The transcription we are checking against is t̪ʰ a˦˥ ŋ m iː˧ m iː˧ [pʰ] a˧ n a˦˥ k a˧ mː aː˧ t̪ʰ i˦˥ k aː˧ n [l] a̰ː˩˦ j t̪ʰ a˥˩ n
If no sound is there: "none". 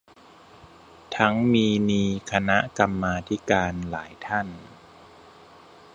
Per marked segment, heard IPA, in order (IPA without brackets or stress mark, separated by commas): kʰ, l